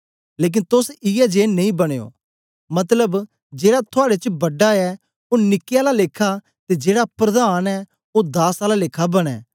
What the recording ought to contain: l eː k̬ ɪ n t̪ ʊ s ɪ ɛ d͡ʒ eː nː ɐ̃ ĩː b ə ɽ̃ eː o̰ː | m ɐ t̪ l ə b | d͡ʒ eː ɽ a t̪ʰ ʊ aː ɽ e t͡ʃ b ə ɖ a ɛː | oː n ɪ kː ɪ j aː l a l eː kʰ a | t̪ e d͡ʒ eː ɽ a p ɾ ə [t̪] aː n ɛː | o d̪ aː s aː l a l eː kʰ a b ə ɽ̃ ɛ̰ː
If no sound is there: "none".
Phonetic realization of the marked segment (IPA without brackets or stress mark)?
d̪